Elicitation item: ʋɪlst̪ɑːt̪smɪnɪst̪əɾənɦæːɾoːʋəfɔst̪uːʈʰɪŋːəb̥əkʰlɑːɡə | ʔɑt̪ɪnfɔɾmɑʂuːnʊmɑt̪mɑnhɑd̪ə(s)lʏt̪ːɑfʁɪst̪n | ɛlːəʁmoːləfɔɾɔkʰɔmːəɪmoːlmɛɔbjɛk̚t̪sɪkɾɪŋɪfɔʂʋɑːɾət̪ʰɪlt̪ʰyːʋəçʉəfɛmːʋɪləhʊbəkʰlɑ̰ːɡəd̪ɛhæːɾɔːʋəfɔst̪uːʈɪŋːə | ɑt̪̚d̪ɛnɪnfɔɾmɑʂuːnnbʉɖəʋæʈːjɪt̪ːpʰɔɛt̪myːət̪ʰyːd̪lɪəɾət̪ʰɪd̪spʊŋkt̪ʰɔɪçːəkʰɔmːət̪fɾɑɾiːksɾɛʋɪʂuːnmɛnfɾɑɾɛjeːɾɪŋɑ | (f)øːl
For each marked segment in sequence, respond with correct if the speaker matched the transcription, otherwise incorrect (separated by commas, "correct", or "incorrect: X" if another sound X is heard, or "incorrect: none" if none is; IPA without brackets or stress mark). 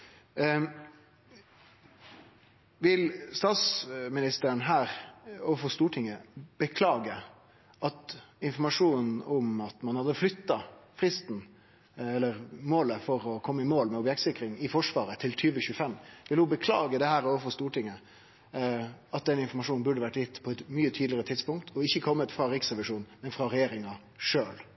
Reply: incorrect: f, incorrect: ʂ